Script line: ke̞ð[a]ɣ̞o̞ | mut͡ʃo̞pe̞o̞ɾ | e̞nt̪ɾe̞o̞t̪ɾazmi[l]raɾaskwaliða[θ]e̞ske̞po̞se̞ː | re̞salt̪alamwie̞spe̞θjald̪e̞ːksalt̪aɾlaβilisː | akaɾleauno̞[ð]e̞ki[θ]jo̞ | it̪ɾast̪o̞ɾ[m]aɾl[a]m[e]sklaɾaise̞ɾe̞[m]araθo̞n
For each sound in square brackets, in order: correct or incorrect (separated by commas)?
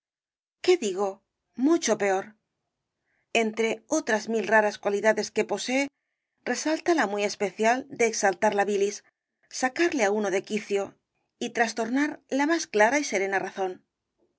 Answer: incorrect, correct, incorrect, correct, correct, incorrect, correct, incorrect, incorrect